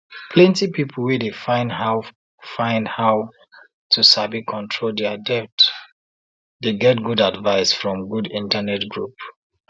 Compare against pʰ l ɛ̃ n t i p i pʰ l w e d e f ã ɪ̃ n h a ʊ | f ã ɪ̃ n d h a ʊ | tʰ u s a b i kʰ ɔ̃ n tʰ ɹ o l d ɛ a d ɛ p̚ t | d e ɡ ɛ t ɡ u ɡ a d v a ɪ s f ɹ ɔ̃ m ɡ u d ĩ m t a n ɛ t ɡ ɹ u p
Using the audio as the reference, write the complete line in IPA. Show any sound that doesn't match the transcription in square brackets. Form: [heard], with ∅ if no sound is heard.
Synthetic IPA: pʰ l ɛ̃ n t i p i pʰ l w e d e f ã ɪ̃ n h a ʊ | f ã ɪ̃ n d h a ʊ | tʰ u s a b i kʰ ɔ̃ n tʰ ɹ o l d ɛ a d ɛ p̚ t | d e ɡ ɛ t ɡ u [d] a d v a ɪ s f ɹ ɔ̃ m ɡ u d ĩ [n] t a n ɛ t ɡ ɹ u p